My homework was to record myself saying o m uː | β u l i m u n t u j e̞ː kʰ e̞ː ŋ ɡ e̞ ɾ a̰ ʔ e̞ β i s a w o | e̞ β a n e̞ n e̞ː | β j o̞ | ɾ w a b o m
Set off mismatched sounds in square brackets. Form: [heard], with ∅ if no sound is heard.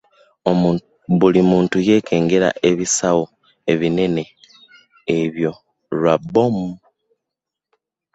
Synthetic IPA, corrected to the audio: o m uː | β u l i m [uː] n t u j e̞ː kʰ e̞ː ŋ ɡ e̞ ɾ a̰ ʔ e̞ β i s a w o | e̞ β [i] n e̞ n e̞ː | β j o̞ | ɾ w a b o m